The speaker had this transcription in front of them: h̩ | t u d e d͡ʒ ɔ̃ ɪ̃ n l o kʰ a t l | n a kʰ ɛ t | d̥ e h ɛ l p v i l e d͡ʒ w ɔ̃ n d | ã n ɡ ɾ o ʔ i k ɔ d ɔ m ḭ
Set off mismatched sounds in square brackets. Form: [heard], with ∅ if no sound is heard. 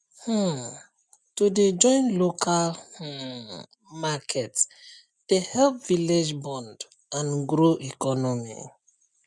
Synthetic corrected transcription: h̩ | t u d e d͡ʒ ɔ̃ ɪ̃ n l o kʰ a [∅] l | [m] a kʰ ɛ t | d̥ e h ɛ l p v i l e d͡ʒ [b] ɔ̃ n d | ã n ɡ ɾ o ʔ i k ɔ [n] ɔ m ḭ

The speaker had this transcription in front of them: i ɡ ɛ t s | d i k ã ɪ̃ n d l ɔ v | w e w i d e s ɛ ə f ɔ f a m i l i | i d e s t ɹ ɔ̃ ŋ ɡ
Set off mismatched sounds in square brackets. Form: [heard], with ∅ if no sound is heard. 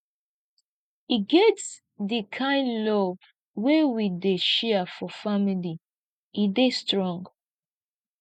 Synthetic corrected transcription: i ɡ ɛ t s | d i [kʰ] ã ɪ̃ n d l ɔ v | w e w i d e [ʃ] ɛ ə f ɔ f a m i l i | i d e s t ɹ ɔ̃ ŋ ɡ

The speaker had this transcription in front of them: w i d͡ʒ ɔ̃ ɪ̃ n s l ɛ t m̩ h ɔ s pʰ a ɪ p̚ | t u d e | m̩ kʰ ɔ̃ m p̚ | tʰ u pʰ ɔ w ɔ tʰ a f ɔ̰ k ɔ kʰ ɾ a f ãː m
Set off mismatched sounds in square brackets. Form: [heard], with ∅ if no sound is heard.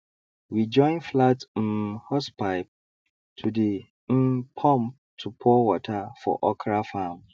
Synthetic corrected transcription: w i d͡ʒ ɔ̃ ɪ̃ n [f] l [a] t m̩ h ɔ s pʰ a ɪ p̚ | [tʰ] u d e | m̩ [pʰ] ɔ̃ m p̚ | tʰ u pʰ ɔ w ɔ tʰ a f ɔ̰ [ʔ] ɔ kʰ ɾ a f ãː m

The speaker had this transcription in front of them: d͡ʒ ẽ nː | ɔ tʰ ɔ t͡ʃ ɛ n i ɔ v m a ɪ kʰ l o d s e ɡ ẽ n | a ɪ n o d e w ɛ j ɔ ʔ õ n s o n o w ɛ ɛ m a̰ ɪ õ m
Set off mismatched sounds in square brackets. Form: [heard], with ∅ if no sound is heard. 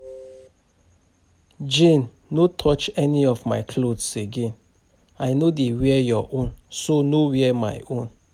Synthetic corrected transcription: d͡ʒ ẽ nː | [o] tʰ ɔ t͡ʃ ɛ n i ɔ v m a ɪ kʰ l o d s e ɡ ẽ n | a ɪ n o d e w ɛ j ɔ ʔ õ n s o n o w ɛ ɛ m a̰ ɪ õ [n]

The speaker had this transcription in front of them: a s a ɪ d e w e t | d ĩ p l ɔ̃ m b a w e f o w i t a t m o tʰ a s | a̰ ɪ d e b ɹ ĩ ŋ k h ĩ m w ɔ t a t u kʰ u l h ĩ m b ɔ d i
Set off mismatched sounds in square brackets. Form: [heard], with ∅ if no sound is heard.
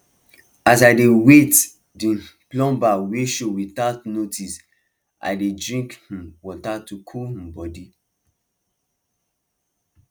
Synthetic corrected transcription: a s a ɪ d e w e t | d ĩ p l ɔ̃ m b a w e [ʃ] o w i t a t [n] o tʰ [i] s | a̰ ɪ d e [d] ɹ ĩ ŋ k h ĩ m w ɔ t a t u kʰ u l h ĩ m b ɔ d i

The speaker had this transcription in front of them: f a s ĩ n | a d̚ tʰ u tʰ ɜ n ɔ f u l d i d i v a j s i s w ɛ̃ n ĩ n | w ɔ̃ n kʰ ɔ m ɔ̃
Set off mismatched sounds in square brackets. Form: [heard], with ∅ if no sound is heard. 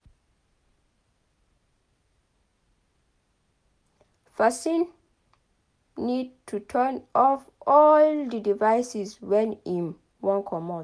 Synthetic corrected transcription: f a s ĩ n | [i] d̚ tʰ u tʰ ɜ n ɔ f [ɔ] l d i d i v a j s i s w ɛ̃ n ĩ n | w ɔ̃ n kʰ ɔ m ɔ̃

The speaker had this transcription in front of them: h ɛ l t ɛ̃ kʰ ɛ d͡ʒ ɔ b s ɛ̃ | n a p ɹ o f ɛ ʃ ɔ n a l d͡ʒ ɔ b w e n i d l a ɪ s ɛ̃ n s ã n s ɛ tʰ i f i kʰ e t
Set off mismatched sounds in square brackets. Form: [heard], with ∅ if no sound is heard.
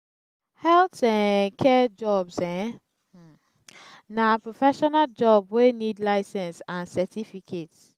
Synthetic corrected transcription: h ɛ l t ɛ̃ kʰ ɛ d͡ʒ ɔ b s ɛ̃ | n a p ɹ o f ɛ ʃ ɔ n a l d͡ʒ ɔ b w e n i d l a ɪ s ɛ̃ n s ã n s ɛ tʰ i f i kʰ e t

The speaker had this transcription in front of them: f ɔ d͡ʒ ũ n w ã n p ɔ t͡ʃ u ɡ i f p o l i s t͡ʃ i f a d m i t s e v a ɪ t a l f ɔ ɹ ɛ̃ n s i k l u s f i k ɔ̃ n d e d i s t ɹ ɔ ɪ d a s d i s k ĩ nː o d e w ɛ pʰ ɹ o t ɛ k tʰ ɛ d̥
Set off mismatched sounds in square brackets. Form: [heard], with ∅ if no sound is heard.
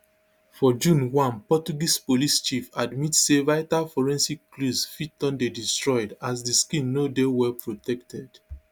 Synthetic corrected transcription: f ɔ d͡ʒ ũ n w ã n p ɔ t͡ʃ u ɡ i [s] p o l i s t͡ʃ i f a d m i t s e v a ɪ t a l f ɔ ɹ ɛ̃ n s i k l u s f i [t] ɔ̃ n d e d i s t ɹ ɔ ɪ d a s d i s k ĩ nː o d e w ɛ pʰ ɹ o t ɛ k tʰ ɛ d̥

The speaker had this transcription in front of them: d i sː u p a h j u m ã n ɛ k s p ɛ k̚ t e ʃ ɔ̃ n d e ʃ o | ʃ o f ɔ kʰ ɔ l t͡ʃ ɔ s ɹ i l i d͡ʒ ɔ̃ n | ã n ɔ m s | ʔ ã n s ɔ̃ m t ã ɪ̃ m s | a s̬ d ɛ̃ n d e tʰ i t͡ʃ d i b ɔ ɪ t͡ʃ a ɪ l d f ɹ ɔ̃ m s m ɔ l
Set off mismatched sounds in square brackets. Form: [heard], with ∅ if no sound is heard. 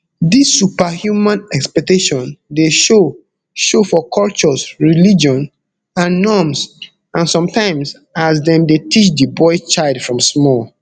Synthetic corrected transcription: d i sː u p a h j u m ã n ɛ k s p ɛ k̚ t e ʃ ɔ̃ n d e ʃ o | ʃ o f ɔ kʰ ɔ l t͡ʃ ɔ s ɹ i l i d͡ʒ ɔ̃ n | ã [nː] ɔ m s | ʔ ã n s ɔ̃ m t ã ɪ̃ m s | a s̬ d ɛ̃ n d e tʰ i t͡ʃ d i b ɔ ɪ t͡ʃ a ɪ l d f ɹ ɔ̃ m s m ɔ l

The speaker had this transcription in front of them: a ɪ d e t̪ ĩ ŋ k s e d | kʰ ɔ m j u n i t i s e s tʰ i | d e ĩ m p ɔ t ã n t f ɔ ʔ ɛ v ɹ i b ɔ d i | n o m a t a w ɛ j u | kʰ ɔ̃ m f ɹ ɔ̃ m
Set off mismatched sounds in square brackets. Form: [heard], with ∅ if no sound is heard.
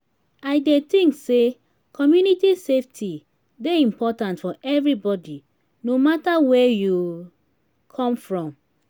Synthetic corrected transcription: a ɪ d e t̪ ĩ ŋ k s e [∅] | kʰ ɔ m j u n i t i s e [f] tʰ i | d e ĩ m p ɔ t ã n t f ɔ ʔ ɛ v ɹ i b ɔ d i | n o m a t a w ɛ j u | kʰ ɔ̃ m f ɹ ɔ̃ m

